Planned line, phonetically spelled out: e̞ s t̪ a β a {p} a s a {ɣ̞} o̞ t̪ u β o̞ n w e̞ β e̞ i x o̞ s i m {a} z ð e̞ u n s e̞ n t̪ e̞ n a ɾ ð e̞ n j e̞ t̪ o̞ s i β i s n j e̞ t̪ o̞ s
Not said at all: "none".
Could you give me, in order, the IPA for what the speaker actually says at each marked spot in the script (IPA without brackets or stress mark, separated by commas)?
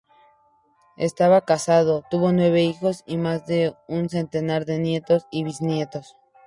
k, ð̞, a